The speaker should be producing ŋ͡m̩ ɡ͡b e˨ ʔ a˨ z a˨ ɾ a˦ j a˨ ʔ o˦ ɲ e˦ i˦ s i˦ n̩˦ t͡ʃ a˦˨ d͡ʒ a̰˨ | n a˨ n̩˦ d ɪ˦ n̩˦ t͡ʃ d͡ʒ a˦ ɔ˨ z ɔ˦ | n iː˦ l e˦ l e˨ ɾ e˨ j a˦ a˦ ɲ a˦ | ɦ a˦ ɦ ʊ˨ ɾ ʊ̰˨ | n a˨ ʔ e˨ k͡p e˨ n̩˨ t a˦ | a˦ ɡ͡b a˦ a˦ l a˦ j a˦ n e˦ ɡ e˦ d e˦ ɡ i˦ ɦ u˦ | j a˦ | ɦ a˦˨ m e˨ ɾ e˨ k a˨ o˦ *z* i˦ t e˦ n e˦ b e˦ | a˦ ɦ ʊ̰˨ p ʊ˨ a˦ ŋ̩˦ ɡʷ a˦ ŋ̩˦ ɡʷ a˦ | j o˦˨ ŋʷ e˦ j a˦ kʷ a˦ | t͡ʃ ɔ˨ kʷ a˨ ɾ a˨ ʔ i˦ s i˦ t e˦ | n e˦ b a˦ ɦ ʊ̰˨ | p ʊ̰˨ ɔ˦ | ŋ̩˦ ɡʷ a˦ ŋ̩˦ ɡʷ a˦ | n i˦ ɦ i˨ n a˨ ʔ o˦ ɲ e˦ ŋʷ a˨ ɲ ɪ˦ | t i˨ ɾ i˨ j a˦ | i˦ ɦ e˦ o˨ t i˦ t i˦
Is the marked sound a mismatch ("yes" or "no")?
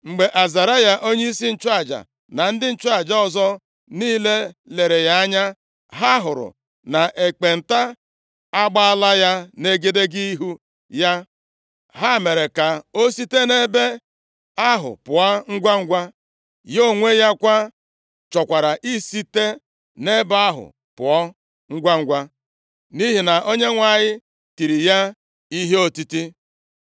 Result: yes